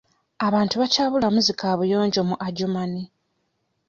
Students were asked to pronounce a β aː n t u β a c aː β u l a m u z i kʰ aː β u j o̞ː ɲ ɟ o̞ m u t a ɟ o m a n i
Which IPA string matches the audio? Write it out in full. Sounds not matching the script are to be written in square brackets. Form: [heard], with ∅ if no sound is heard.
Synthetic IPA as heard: a β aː n t u β a c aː β u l a m u z i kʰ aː β u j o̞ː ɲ ɟ o̞ m u [ʔ] a ɟ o m a n i